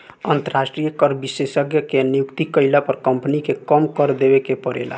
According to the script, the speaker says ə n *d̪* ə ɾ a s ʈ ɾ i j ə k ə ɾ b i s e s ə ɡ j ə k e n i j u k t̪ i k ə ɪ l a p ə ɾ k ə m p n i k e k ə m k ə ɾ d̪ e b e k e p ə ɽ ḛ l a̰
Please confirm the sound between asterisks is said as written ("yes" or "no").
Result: no